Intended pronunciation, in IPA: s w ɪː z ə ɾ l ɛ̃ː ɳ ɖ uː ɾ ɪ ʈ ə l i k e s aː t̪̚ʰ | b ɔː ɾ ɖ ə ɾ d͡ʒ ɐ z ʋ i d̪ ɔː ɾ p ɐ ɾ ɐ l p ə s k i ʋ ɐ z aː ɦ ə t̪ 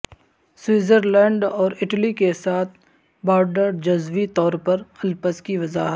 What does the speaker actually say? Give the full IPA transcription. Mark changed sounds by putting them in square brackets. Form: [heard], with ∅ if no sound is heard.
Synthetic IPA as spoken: s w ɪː z ə ɾ l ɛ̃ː ɳ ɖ [ɔː] ɾ ɪ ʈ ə l i k e s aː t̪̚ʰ | b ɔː ɾ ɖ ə ɾ d͡ʒ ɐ z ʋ i [t̪] ɔː ɾ p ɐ ɾ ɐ l p ə s k i ʋ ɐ z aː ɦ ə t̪

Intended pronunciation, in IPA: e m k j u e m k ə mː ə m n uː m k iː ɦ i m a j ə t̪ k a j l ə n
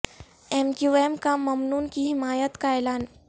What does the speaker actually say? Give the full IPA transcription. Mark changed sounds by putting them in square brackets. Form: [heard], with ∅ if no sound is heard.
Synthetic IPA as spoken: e m k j u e m k [a] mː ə m n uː [n] k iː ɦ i m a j ə t̪ k a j l [a] n

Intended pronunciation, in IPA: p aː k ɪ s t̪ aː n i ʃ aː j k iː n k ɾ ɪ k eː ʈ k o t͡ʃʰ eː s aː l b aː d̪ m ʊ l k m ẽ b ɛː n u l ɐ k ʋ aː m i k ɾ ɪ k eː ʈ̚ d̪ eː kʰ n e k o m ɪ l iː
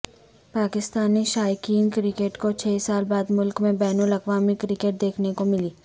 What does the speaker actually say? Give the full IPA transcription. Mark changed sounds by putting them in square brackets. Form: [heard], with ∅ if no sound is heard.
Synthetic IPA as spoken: p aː k ɪ s t̪ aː n i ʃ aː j k iː n k ɾ ɪ k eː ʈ k o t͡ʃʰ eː s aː l b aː d̪ m ʊ l k m ẽ b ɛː n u l ɐ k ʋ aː m i k ɾ ɪ k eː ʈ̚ d̪ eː kʰ n e k o m ɪ l iː

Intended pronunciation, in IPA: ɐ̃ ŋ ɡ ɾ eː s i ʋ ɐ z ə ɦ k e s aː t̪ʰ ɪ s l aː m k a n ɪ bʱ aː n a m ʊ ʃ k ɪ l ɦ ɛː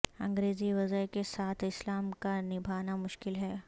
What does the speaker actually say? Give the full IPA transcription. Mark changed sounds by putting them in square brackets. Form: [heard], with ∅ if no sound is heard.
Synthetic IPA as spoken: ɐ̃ ŋ ɡ ɾ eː [z] i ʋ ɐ z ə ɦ k e s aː t̪ʰ ɪ s l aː m k a n ɪ bʱ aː n a m ʊ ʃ k ɪ l ɦ ɛː

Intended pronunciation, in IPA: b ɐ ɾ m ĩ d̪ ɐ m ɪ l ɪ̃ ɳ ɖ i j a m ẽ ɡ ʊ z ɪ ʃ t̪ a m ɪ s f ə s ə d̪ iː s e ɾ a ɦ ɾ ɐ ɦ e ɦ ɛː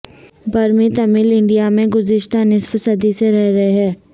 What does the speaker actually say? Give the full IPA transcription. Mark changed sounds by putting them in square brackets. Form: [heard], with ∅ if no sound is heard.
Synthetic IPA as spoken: b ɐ ɾ m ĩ [t̪] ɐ m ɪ l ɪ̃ ɳ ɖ i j a m ẽ ɡ ʊ z ɪ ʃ t̪ a [n] ɪ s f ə s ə d̪ [i] s e ɾ [ɛ] ɦ ɾ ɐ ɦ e ɦ ɛː

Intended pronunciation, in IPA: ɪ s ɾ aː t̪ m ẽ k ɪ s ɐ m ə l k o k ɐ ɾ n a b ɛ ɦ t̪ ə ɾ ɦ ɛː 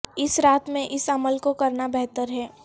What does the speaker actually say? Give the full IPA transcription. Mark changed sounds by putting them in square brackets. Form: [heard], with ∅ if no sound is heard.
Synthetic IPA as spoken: ɪ s ɾ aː t̪ m ẽ [ʔ] ɪ s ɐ m ə l k o k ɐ ɾ n a b ɛ ɦ t̪ ə ɾ ɦ ɛː

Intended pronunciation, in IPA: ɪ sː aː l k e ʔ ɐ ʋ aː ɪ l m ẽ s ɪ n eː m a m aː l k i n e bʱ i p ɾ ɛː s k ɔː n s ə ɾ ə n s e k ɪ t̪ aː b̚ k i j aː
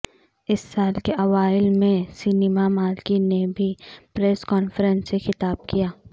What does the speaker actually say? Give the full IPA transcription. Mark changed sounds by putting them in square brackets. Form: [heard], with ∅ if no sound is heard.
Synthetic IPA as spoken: ɪ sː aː l k e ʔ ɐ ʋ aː ɪ l m ẽ s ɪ n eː m a m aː l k i n e bʱ i p ɾ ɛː s k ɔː n [f] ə ɾ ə n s e [x] ɪ t̪ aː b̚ k i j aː

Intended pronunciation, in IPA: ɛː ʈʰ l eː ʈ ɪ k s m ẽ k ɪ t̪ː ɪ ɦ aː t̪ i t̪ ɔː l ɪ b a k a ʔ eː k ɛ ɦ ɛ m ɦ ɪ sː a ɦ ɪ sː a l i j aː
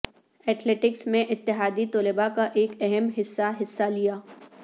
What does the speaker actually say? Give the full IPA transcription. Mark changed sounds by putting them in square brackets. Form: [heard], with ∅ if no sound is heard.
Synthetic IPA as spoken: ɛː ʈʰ l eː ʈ ɪ k s m ẽ [ʔ] ɪ t̪ː ɪ ɦ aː [d̪] i t̪ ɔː l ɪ b a k a ʔ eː k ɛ ɦ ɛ m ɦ ɪ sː a ɦ ɪ sː a l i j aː

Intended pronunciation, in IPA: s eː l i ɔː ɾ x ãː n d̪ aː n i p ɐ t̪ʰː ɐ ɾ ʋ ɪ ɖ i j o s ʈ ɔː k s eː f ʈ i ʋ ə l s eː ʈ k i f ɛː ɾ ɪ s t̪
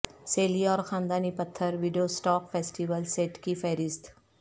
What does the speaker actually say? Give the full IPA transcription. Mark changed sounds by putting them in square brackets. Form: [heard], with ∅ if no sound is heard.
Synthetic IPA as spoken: s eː l i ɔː ɾ x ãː n d̪ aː n i p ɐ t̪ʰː [ə] ɾ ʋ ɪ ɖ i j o s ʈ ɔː k [f] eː [s] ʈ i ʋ ə l s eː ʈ k i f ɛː ɾ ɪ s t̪

